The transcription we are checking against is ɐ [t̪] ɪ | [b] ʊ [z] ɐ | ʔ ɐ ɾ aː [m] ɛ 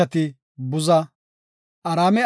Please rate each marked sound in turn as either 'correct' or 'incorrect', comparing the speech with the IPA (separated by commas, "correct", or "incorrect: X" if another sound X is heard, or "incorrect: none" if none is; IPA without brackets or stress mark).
correct, correct, correct, correct